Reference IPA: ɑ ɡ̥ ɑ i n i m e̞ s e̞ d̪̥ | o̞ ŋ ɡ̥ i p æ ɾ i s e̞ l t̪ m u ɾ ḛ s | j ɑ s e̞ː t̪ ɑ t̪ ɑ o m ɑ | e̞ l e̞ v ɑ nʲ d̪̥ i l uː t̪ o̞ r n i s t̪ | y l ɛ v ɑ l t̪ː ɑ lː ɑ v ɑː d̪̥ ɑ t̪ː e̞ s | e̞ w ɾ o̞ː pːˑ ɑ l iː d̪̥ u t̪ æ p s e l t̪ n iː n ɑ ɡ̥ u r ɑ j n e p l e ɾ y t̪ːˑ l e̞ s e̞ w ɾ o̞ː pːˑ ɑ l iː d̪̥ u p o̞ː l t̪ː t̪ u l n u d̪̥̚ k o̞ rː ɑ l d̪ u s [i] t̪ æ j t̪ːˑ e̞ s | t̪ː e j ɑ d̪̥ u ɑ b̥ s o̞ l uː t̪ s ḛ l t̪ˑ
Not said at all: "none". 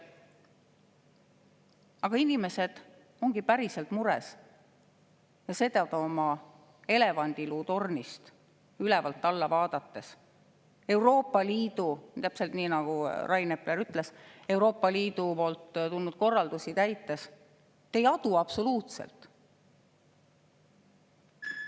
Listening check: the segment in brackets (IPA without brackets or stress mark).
i